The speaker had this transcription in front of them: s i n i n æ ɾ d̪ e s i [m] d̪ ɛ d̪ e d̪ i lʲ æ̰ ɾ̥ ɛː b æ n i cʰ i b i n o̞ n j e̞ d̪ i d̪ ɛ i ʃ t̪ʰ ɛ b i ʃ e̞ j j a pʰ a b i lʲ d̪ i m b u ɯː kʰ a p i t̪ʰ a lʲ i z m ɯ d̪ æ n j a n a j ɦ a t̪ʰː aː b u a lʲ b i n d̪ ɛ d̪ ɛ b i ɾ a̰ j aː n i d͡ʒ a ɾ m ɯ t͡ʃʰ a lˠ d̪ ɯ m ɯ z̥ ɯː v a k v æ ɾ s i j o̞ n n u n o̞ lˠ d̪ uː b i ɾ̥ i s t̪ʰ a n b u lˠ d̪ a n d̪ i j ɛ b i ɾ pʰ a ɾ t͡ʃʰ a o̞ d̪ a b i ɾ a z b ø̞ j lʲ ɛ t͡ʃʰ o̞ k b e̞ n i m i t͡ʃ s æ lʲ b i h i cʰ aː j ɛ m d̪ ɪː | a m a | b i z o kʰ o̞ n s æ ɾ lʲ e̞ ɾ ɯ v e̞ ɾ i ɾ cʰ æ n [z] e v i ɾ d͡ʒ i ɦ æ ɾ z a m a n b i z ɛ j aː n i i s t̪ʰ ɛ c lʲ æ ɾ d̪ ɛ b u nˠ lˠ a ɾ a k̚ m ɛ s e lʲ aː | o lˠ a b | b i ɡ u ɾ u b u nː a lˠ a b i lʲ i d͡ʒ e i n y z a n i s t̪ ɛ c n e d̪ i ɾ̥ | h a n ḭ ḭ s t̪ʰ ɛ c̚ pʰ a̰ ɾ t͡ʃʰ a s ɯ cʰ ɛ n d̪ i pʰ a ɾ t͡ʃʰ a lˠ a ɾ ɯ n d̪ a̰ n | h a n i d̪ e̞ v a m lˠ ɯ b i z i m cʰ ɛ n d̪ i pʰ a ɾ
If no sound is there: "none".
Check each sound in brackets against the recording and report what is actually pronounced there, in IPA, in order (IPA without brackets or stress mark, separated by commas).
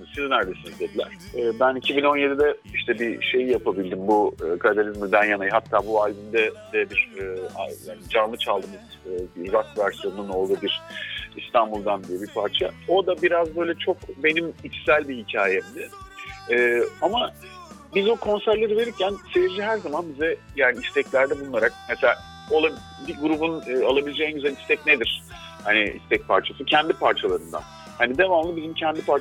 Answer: n, s